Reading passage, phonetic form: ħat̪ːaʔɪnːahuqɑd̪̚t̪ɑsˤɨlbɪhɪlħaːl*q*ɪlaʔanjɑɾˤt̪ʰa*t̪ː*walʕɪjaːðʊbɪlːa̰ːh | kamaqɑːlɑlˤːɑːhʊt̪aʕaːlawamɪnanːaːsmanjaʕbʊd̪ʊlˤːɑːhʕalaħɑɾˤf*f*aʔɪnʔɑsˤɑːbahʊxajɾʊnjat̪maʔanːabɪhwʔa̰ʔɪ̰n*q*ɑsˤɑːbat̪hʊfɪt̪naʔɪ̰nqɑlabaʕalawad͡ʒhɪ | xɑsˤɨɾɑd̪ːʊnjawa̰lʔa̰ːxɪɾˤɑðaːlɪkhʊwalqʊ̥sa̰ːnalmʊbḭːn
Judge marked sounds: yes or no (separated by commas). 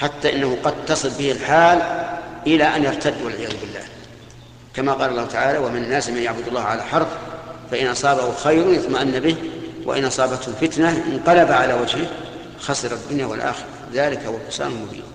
no, no, yes, no